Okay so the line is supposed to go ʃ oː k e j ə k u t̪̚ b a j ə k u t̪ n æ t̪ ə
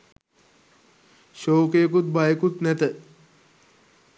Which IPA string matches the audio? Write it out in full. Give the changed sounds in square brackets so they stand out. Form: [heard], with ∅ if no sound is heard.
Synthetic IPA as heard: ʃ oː k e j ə k u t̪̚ b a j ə k u t̪ n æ t̪ ə